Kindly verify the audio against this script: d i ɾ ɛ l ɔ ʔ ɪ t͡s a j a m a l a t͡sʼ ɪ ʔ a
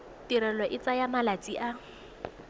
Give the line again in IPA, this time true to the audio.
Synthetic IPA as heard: t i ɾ ɛ l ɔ ʔ ɪ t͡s a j a m a l a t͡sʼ i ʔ a